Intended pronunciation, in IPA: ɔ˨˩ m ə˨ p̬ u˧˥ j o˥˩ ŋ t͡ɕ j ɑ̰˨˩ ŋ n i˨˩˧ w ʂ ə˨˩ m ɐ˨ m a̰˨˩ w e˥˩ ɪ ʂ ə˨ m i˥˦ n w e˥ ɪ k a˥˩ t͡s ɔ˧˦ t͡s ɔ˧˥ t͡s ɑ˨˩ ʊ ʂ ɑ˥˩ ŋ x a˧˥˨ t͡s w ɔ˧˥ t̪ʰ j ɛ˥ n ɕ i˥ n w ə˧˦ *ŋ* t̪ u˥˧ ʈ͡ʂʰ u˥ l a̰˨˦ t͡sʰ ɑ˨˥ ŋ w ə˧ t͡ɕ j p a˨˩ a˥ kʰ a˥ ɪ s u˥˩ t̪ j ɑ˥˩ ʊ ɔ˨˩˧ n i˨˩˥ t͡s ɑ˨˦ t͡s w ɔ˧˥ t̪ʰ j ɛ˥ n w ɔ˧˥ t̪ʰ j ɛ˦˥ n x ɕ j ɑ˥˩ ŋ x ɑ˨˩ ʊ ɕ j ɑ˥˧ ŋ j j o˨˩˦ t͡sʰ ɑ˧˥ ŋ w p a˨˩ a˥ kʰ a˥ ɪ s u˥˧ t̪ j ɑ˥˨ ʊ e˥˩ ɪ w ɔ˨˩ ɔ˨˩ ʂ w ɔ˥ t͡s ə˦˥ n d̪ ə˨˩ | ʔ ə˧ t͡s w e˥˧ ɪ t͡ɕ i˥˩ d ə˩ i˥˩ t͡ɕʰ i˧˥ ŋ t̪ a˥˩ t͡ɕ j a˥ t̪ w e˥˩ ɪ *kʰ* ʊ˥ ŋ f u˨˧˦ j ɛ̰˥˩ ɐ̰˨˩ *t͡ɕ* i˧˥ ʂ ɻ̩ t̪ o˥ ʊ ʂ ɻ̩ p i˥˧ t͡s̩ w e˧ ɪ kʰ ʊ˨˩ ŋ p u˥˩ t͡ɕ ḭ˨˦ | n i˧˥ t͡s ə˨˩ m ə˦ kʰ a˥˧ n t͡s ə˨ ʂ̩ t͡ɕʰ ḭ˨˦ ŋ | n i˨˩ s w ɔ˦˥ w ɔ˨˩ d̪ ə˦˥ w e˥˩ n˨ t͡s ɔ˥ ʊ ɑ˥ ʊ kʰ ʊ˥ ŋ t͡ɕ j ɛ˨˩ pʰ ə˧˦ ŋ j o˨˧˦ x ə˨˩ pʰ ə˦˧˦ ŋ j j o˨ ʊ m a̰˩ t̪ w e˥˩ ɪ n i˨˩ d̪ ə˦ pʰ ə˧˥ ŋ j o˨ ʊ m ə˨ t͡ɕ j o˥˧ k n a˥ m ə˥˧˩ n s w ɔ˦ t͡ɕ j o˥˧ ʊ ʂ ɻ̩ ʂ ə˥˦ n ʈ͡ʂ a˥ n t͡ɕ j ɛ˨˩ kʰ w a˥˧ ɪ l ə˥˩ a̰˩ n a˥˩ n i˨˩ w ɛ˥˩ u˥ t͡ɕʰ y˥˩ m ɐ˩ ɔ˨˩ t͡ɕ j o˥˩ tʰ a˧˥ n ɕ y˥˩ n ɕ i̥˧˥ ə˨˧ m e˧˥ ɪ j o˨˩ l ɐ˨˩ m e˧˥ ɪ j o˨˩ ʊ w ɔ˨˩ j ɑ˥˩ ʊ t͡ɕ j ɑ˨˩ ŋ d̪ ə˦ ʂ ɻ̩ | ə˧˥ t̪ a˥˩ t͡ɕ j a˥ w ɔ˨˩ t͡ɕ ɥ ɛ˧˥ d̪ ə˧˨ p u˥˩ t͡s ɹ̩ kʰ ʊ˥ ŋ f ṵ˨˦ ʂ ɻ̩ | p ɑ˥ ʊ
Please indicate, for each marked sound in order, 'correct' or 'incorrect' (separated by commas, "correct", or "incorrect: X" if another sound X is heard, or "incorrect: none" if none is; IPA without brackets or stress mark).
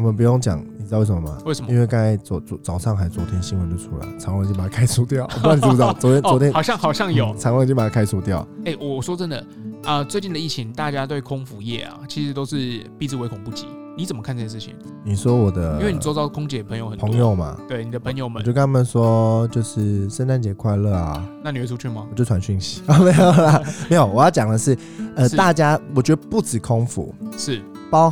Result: incorrect: n, correct, incorrect: t͡ɕʰ